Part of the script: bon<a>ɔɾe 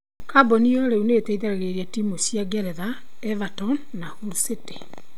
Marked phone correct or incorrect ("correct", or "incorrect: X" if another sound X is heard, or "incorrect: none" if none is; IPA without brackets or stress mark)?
incorrect: i